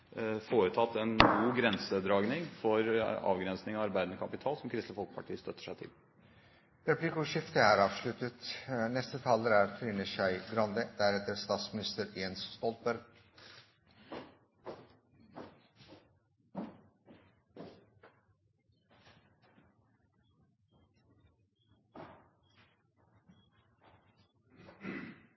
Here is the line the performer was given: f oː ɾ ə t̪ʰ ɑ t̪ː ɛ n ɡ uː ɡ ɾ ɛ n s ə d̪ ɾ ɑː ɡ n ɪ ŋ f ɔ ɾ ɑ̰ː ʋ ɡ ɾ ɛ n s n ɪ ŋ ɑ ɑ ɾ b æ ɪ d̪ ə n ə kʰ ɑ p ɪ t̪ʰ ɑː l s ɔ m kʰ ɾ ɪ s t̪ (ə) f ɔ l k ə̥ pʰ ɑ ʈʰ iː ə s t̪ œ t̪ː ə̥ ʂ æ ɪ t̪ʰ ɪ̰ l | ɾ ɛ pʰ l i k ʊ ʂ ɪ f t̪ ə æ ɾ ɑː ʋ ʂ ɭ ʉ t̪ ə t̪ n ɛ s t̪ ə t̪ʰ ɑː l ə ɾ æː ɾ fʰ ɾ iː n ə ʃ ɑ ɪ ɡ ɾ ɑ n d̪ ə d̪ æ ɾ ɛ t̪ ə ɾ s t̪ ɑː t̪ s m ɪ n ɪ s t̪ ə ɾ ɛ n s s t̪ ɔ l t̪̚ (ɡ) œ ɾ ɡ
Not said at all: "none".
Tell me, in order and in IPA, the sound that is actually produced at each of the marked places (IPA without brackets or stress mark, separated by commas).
ə, b